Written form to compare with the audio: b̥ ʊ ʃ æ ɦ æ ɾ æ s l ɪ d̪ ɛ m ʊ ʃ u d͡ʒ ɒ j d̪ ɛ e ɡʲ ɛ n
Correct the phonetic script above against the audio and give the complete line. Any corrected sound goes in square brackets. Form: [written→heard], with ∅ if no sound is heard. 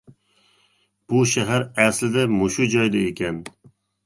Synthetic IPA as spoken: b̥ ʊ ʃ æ ɦ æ ɾ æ s l ɪ d̪ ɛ m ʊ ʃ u d͡ʒ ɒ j d̪ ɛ e [ɡʲ→kʲ] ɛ n